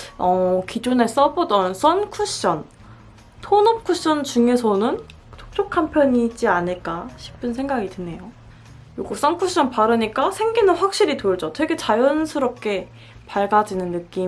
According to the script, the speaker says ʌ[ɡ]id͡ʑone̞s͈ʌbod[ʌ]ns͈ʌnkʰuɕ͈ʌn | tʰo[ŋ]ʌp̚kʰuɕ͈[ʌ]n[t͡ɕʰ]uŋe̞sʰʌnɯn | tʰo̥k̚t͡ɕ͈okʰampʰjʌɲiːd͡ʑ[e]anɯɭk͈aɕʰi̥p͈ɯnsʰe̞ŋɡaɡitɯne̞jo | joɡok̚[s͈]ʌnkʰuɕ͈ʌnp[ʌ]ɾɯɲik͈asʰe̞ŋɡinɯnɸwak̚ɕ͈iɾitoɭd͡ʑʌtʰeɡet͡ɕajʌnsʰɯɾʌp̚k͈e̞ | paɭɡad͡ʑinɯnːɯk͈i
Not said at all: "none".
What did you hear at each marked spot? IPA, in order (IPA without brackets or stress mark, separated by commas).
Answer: k, ʌ, n, ʌ, t͡ɕ, i, s͈, a